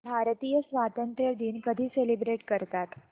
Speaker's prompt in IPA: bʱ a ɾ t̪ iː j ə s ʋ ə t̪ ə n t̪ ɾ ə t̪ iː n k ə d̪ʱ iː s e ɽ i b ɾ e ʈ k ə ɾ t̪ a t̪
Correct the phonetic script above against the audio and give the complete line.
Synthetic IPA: bʱ a ɾ t̪ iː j ə s ʋ a t̪ ə n t̪ ɾ ə d̪ iː n k ə d̪ʱ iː s e l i b ɾ e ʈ k ə ɾ t̪ a t̪

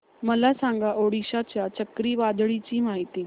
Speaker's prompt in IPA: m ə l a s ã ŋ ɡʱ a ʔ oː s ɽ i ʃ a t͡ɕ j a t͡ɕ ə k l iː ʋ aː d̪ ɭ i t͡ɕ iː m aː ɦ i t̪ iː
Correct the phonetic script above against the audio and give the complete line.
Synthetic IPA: m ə l a s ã ŋ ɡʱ a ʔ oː ɽ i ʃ a t͡ɕ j a t͡ɕ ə k ɾ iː ʋ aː d̪ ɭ i t͡ɕ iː m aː ɦ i t̪ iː

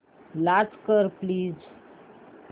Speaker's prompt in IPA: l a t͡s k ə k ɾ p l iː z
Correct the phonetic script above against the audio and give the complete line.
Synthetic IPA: l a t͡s k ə ɾ p l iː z

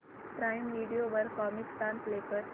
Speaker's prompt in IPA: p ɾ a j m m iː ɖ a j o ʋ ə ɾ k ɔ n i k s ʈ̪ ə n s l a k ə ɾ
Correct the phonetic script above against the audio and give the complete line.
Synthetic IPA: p ɾ a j m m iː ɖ i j o ʋ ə ɾ k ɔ m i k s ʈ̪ a n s l e k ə ɾ

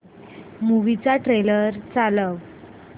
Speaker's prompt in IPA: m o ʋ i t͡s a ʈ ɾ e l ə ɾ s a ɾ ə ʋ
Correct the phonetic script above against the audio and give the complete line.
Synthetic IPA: m u ʋ i t͡s a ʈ ɾ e l ə ɾ t͡s a l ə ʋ

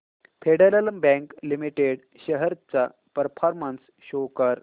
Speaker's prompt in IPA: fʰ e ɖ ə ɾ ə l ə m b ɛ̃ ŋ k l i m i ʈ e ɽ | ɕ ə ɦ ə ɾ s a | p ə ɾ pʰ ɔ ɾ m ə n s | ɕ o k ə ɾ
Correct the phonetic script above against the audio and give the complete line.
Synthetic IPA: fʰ e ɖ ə ɾ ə l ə m b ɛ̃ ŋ k l i m i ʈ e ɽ | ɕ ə ɦ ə ɾ t͡s a | p ə ɾ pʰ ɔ ɾ m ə n s | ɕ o k ə ɾ

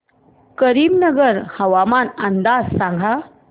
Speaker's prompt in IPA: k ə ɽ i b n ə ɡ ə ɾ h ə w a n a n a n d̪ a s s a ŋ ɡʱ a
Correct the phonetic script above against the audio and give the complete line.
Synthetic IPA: k ə ɾ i b n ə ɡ ə ɾ h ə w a m a n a n d̪ a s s a ŋ ɡʱ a

